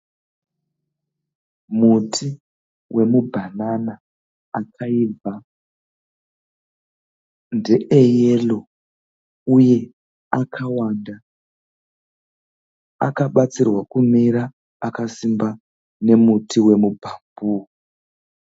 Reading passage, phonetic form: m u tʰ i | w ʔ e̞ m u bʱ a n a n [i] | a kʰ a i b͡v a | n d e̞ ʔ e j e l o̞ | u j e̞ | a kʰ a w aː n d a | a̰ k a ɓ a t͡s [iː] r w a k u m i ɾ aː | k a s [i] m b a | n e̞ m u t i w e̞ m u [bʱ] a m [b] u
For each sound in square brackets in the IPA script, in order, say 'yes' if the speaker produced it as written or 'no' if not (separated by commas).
no, no, yes, yes, yes